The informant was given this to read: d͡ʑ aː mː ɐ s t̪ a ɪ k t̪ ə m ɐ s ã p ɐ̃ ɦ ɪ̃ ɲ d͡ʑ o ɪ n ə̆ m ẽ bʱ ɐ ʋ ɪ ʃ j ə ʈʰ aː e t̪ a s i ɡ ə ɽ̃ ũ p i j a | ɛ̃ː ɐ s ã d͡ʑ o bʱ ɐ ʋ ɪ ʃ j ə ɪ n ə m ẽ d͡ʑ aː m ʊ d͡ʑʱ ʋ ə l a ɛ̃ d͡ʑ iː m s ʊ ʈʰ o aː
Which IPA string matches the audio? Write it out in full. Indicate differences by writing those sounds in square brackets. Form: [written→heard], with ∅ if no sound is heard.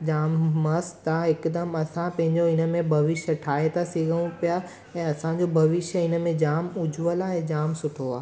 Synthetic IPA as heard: d͡ʑ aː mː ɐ s t̪ a ɪ k [t̪→d̪] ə m ɐ s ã p ɐ̃ ɦ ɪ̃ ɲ d͡ʑ o ɪ n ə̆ m ẽ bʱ ɐ ʋ ɪ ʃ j ə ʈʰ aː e t̪ a s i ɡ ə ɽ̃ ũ p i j a | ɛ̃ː ɐ s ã d͡ʑ o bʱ ɐ ʋ ɪ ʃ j ə ɪ n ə m ẽ d͡ʑ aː m ʊ d͡ʑʱ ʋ ə l a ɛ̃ d͡ʑ [iː→aː] m s ʊ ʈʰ o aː